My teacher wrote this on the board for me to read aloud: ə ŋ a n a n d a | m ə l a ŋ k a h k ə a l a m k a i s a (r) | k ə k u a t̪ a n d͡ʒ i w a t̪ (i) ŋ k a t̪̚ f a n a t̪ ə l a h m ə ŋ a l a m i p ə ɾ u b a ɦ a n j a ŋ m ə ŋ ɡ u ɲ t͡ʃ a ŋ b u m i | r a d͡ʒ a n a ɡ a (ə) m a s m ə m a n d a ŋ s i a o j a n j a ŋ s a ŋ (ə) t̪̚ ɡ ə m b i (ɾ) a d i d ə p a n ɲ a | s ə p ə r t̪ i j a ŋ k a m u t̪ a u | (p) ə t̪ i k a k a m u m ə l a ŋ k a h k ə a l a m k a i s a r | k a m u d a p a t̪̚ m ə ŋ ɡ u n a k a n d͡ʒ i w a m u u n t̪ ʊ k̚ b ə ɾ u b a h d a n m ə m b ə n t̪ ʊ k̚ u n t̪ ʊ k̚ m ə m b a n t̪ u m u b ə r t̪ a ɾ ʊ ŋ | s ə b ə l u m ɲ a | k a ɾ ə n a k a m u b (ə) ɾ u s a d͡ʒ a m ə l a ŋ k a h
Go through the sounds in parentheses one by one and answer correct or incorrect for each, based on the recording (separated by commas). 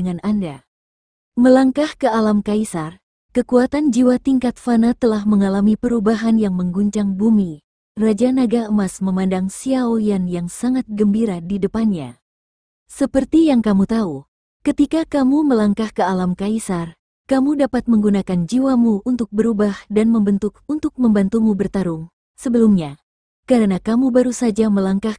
correct, correct, correct, incorrect, correct, incorrect, incorrect